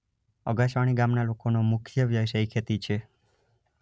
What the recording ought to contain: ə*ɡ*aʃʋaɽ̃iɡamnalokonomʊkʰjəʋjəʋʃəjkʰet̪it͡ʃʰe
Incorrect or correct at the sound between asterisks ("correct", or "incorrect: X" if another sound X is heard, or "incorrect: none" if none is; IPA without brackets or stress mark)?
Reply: correct